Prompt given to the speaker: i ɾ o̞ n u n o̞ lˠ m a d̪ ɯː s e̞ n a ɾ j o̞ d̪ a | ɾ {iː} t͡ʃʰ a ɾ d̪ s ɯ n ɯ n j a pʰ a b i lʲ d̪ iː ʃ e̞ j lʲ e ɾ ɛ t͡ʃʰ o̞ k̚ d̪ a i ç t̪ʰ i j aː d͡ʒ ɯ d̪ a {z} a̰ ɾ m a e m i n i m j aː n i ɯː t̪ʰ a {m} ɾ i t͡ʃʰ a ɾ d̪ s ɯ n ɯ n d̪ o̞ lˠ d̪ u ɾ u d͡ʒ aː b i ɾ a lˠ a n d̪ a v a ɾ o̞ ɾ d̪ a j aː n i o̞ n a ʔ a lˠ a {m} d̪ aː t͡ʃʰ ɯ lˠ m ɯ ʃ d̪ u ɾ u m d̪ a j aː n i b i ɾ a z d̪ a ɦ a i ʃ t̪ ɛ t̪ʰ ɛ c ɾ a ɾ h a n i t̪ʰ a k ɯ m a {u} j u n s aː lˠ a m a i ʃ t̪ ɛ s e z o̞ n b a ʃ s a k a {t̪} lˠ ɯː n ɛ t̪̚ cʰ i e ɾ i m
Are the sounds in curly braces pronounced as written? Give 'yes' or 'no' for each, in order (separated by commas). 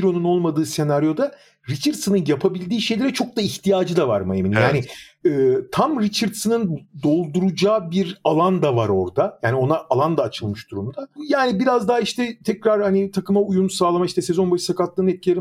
no, no, yes, no, yes, yes